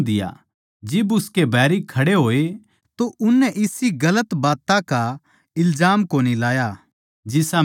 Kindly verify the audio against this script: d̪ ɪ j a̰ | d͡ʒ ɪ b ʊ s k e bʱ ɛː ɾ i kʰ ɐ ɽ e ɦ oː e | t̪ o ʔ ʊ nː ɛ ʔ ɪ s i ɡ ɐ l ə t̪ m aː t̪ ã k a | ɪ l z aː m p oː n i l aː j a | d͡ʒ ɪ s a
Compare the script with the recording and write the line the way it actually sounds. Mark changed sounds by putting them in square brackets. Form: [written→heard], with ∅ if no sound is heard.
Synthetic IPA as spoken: d̪ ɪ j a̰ | d͡ʒ ɪ b ʊ s k e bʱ ɛː ɾ i kʰ ɐ ɽ e ɦ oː e | t̪ o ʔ ʊ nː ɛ ʔ ɪ s i ɡ ɐ l ə t̪ [m→b] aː t̪ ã k a | ɪ l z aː m [p→k] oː n i l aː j a | d͡ʒ ɪ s a

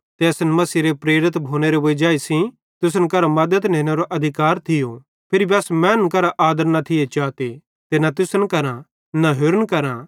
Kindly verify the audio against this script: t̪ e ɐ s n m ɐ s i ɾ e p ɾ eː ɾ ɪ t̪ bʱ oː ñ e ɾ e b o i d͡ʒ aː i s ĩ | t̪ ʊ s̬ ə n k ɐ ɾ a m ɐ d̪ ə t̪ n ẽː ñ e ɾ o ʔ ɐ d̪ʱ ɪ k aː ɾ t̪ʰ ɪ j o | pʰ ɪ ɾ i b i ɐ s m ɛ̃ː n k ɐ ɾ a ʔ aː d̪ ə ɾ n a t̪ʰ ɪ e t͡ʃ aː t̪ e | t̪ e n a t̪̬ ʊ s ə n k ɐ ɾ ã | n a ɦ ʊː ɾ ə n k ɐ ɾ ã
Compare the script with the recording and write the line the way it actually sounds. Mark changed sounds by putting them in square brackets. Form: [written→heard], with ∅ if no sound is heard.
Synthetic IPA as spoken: t̪ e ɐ s n m ɐ s i ɾ e p ɾ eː ɾ ɪ t̪ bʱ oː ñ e ɾ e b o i d͡ʒ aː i s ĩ | t̪ ʊ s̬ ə n k ɐ ɾ a m ɐ d̪ ə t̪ n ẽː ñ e ɾ o ʔ ɐ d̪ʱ ɪ k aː ɾ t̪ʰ ɪ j o | pʰ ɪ ɾ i b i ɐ s m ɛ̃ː n k ɐ ɾ a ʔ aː d̪ ə ɾ n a t̪ʰ ɪ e t͡ʃ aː t̪ e | t̪ e n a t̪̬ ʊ s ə n k ɐ ɾ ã | n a ɦ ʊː ɾ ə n k ɐ ɾ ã

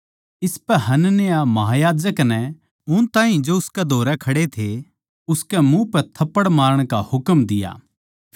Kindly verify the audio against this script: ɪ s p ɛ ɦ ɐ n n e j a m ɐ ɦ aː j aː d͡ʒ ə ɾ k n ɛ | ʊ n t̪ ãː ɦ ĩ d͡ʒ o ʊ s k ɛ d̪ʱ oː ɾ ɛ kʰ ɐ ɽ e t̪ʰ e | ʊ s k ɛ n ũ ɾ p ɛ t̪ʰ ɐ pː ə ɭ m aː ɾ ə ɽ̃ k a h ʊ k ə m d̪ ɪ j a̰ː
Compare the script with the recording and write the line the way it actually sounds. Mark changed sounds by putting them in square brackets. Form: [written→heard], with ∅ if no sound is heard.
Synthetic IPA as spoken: ɪ s p ɛ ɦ ɐ n n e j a m ɐ ɦ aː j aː d͡ʒ ə [ɾ→∅] k n ɛ | ʊ n t̪ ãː ɦ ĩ d͡ʒ o ʊ s k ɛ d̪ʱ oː ɾ ɛ kʰ ɐ ɽ e t̪ʰ e | ʊ s k ɛ [n→m] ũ [ɾ→∅] p ɛ t̪ʰ ɐ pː ə [ɭ→ɽ] m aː ɾ ə ɽ̃ k a h ʊ k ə m d̪ ɪ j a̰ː

